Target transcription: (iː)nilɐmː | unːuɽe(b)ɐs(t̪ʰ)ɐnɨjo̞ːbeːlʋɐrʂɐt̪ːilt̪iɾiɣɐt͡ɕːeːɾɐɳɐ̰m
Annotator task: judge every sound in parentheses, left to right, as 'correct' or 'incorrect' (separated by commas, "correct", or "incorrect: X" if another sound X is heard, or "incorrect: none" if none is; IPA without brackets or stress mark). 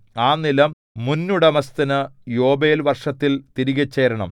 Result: incorrect: aː, incorrect: m, incorrect: t̪